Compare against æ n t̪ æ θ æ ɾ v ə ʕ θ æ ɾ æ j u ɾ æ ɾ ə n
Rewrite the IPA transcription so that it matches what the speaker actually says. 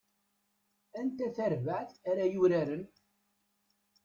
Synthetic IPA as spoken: æ n t̪ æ θ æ ɾ v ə ʕ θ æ ɾ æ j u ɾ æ ɾ ə n